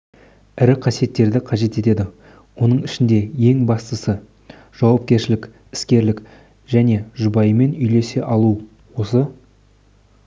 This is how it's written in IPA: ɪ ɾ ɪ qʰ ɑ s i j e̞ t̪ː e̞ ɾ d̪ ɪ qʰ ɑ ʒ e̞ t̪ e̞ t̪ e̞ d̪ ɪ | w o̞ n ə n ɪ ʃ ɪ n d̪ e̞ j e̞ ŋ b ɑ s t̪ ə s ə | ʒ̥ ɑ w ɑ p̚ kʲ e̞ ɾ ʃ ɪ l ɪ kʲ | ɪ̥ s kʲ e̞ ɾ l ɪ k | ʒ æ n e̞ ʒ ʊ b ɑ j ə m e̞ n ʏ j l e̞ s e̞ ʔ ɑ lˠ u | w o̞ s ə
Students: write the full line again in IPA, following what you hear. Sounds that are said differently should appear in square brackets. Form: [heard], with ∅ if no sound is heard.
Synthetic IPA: ɪ ɾ ɪ qʰ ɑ s i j e̞ t̪ː e̞ ɾ d̪ ɪ qʰ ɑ ʒ e̞ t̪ e̞ t̪ e̞ d̪ ɪ | w o̞ n ə [ɴ] ɪ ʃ ɪ n d̪ e̞ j e̞ ŋ b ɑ s t̪ ə s ə | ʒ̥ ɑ w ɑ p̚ kʲ e̞ ɾ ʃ ɪ l ɪ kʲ | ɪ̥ s kʲ e̞ ɾ l ɪ k | ʒ æ n e̞ ʒ ʊ b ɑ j ə m e̞ n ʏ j l e̞ s e̞ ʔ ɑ lˠ u | w o̞ s ə